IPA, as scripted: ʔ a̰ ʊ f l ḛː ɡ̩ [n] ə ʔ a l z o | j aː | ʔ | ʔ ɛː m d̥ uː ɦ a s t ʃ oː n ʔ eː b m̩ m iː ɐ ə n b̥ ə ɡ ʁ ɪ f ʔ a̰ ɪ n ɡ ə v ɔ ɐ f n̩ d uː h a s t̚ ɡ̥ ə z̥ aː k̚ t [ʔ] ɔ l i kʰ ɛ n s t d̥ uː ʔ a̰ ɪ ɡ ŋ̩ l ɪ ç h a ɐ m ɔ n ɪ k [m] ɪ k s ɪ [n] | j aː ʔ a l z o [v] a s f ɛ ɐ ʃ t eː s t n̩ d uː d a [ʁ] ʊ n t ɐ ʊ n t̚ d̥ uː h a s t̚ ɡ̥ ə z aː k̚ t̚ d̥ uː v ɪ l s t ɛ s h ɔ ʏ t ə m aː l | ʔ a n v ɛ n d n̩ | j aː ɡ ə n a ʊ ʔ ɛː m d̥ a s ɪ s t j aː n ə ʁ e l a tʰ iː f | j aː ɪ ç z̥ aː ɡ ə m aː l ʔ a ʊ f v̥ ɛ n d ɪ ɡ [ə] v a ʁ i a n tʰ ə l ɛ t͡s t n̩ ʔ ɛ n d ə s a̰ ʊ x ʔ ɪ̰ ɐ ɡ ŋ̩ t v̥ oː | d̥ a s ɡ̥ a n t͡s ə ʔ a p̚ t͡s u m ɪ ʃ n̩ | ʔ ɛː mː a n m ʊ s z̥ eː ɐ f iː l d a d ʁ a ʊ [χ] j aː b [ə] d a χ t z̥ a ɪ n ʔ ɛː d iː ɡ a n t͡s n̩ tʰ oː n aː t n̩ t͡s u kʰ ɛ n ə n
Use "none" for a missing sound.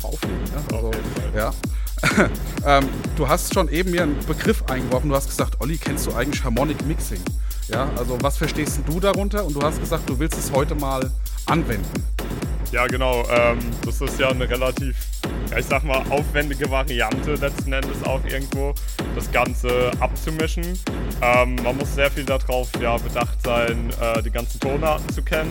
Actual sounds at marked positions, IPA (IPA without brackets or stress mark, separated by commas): n, ʔ, m, ŋ, v, ʁ, ə, f, ə